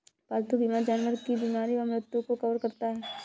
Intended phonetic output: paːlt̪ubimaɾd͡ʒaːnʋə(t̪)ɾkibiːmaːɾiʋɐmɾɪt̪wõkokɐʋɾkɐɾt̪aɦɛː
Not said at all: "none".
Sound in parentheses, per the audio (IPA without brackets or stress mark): none